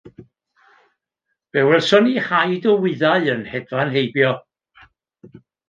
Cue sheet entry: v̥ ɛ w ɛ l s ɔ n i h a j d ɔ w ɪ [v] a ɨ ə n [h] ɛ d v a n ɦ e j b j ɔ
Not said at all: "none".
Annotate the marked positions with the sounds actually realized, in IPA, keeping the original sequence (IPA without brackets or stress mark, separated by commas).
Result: ð, h